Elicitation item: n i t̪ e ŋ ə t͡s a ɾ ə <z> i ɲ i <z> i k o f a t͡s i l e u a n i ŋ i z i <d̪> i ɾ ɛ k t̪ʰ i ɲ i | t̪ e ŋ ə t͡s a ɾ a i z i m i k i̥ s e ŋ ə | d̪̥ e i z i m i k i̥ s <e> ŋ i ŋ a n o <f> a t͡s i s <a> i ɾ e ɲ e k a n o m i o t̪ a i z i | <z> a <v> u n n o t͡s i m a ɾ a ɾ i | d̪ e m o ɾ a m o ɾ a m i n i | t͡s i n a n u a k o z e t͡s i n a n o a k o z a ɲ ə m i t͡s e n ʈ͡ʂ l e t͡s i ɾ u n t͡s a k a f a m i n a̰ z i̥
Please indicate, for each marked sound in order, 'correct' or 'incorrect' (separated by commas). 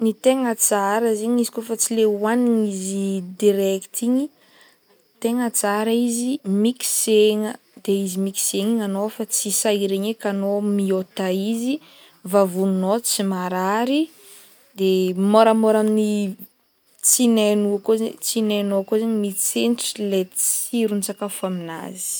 correct, correct, correct, correct, correct, correct, incorrect, correct